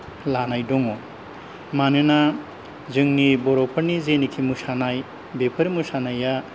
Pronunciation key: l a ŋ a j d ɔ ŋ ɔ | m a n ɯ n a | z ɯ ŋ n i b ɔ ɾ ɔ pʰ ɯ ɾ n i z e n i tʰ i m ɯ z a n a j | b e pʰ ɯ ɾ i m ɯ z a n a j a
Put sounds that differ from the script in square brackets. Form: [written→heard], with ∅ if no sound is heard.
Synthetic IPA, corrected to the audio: l a [ŋ→n] a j d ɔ ŋ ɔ | m a n ɯ n a | z ɯ ŋ n i b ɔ ɾ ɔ pʰ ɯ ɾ n i z e n i [tʰ→kʰ] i m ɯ [z→s] a n a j | b e pʰ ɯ ɾ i m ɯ [z→s] a n a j a